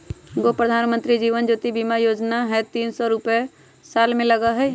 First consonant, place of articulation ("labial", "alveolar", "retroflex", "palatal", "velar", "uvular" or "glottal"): velar